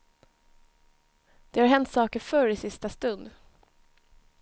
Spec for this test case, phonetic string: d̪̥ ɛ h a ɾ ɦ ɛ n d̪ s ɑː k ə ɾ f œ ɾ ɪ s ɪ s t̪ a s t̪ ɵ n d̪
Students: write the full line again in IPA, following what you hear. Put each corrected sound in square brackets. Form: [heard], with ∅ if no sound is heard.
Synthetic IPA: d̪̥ ɛ h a ɾ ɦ ɛ n [t̪] s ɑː k ə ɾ f œ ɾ ɪ s ɪ s t̪ a s t̪ ɵ n d̪